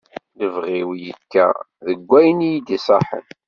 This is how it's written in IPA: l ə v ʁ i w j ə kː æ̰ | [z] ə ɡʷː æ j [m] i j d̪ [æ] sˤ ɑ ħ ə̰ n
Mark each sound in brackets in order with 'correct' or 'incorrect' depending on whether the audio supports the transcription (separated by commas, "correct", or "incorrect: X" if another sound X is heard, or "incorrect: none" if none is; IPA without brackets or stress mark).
incorrect: ð, incorrect: n, incorrect: i